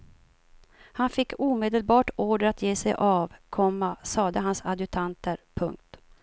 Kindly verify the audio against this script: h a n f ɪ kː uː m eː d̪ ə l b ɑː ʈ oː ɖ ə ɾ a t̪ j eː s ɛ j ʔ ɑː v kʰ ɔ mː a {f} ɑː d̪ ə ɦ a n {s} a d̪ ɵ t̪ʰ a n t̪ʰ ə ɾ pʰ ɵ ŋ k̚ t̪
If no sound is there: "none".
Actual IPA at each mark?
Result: s, s

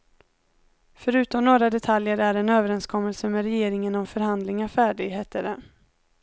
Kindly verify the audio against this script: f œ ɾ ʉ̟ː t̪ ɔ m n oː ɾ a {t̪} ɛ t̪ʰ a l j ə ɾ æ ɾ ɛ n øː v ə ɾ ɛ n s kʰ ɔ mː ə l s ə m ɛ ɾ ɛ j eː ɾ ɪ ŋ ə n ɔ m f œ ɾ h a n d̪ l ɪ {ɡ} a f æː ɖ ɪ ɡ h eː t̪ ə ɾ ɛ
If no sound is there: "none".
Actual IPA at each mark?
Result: d̪, ŋ

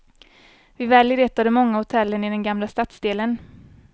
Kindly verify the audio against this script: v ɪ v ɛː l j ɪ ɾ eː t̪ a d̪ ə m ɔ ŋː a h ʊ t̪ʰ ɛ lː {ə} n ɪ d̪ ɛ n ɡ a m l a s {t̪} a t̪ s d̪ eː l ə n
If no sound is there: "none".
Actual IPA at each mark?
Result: ə, t̪

